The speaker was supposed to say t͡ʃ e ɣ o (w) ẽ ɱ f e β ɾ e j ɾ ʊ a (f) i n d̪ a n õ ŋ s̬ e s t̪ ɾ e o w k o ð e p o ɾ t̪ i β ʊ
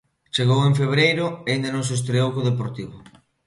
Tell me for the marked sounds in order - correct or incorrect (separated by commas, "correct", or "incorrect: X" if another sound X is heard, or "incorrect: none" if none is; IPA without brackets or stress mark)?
correct, incorrect: none